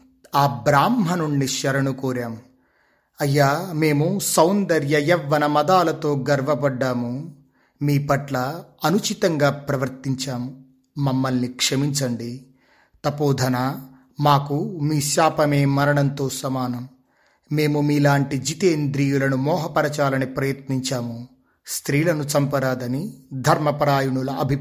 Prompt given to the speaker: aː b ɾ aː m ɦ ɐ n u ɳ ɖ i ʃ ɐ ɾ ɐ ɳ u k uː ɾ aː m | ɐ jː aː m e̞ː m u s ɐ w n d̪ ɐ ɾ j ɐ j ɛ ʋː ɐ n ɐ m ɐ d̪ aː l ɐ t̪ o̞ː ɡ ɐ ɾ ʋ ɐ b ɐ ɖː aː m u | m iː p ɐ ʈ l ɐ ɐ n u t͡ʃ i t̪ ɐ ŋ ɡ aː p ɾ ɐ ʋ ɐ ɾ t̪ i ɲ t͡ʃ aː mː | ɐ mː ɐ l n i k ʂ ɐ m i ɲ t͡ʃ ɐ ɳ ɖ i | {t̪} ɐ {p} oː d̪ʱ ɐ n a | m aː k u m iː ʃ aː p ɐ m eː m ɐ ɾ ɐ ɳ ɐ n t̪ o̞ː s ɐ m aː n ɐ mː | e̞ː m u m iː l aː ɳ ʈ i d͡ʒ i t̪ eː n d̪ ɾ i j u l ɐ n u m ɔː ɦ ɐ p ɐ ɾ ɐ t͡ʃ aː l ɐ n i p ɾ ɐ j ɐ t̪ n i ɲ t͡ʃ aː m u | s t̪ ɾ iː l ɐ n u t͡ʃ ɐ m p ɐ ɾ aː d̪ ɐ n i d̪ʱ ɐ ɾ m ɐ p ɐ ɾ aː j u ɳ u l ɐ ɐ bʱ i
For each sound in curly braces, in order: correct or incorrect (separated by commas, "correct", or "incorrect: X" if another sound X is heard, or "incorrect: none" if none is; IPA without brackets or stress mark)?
correct, correct